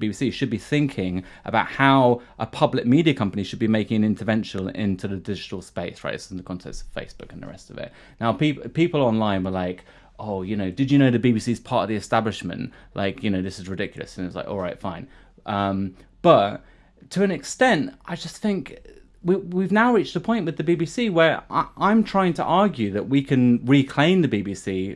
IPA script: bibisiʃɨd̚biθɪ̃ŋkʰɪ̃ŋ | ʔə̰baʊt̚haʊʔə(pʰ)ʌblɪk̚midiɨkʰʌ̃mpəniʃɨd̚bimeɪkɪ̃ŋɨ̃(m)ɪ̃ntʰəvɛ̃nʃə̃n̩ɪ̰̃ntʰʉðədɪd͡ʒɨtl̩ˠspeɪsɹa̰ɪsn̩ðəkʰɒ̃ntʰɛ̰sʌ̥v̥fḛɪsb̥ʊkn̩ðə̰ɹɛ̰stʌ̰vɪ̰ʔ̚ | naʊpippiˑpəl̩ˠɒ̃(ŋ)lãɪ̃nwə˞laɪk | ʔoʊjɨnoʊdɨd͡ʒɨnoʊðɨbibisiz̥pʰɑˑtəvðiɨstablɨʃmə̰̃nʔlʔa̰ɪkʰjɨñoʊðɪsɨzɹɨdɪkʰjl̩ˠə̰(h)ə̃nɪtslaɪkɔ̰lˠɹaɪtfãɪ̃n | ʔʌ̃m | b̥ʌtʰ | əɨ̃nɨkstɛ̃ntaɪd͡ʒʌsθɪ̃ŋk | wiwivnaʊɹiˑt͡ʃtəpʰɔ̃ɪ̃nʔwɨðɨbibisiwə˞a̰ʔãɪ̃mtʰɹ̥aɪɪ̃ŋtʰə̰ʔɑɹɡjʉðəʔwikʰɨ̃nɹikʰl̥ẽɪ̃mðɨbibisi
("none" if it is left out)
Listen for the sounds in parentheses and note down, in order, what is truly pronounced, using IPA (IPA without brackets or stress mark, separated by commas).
pʰ, n, n, s